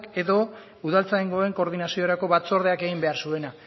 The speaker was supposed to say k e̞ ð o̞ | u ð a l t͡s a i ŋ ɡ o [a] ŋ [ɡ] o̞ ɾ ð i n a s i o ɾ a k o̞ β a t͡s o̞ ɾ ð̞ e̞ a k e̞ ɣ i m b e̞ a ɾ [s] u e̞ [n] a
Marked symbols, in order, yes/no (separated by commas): no, no, yes, yes